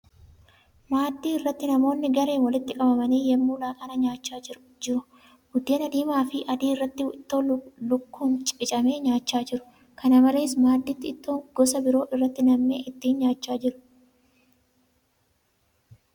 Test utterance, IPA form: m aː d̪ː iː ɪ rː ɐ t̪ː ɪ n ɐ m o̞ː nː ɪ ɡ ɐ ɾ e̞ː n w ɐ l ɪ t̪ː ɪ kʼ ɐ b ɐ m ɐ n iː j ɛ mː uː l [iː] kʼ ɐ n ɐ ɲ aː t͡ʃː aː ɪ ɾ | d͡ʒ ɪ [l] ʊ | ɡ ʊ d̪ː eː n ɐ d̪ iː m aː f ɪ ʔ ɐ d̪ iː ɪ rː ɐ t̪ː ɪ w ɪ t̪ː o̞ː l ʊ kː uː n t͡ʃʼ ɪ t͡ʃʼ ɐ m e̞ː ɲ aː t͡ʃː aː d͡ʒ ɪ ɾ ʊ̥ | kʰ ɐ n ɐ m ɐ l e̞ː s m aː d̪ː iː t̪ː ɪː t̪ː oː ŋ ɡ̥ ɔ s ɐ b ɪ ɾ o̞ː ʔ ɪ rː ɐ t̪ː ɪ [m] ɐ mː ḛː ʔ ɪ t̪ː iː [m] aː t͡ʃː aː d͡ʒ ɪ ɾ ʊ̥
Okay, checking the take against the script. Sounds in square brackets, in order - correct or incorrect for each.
incorrect: aː, incorrect: ɾ, incorrect: n, incorrect: ɲ

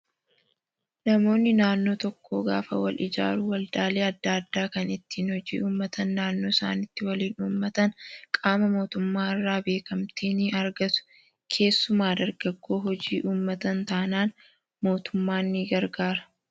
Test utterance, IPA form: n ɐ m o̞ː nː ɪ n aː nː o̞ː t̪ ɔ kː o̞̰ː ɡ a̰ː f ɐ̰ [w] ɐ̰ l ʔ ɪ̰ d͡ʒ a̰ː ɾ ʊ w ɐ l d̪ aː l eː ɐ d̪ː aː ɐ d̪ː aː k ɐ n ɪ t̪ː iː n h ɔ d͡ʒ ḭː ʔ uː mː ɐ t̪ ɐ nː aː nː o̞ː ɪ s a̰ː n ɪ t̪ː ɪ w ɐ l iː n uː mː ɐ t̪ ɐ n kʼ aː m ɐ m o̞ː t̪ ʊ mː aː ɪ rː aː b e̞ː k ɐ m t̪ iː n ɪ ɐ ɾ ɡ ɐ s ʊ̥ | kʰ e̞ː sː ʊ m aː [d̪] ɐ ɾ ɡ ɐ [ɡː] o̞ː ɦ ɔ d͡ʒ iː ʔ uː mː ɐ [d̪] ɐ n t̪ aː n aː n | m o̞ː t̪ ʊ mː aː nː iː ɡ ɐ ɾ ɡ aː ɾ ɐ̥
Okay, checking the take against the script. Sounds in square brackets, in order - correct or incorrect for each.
correct, correct, correct, incorrect: t̪

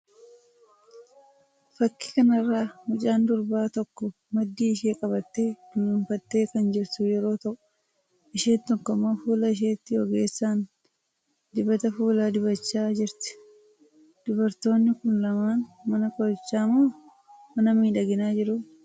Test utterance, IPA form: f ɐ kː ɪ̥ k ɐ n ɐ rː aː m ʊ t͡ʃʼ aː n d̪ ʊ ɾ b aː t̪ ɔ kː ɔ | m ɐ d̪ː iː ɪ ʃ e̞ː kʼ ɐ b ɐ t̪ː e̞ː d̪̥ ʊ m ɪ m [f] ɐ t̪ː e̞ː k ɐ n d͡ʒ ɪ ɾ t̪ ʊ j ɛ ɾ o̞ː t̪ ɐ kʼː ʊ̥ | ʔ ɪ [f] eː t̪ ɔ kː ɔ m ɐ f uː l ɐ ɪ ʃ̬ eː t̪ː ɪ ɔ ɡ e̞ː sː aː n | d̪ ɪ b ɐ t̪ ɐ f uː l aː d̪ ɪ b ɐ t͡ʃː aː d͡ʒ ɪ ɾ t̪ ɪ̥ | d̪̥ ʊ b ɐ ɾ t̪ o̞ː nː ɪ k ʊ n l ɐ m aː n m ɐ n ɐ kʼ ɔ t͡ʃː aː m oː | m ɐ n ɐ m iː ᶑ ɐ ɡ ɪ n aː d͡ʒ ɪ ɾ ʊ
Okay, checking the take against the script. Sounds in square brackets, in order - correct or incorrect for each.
correct, incorrect: ʃ

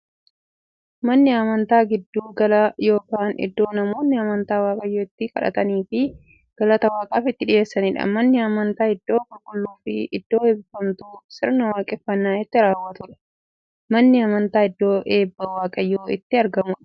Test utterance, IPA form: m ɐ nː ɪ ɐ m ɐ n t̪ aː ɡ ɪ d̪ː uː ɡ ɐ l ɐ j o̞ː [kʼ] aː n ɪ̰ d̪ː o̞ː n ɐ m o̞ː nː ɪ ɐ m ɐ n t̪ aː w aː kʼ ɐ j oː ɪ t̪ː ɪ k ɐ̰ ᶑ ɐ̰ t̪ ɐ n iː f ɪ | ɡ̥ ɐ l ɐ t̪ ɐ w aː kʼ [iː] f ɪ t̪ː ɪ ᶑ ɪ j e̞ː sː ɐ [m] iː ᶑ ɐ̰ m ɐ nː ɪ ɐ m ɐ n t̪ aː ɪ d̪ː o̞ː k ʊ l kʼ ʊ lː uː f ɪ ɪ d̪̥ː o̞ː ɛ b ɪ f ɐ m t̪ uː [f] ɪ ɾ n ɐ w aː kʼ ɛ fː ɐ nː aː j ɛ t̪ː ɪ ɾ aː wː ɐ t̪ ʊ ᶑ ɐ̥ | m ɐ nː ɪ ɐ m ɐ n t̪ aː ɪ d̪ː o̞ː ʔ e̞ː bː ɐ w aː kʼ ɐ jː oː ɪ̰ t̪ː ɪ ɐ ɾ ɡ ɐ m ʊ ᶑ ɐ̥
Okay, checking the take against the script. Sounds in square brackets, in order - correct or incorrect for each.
incorrect: k, incorrect: aː, incorrect: n, incorrect: s

